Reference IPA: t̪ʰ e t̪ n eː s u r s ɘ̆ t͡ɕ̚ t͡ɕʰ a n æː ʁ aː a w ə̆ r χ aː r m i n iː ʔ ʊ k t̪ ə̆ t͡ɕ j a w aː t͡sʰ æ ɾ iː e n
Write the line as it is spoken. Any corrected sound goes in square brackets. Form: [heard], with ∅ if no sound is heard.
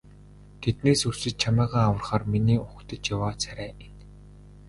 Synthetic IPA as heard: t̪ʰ e t̪ n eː s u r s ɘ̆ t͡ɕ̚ t͡ɕʰ a [m] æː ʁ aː a w ə̆ r χ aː r m i n iː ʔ ʊ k t̪ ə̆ t͡ɕ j a w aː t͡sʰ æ ɾ [æː] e n